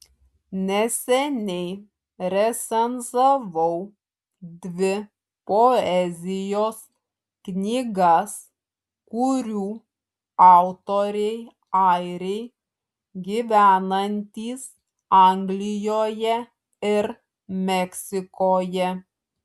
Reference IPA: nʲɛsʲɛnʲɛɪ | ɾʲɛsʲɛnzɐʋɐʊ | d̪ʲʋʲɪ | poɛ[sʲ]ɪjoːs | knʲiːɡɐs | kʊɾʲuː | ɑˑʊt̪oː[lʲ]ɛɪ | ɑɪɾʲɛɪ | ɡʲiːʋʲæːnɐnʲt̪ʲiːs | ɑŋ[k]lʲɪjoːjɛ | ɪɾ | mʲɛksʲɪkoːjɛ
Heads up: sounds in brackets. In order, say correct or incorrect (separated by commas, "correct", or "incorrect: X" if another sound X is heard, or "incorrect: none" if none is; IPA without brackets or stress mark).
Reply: incorrect: zʲ, incorrect: ɾʲ, incorrect: ɡ